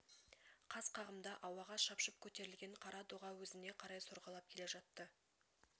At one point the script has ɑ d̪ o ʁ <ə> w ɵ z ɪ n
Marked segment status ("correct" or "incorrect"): incorrect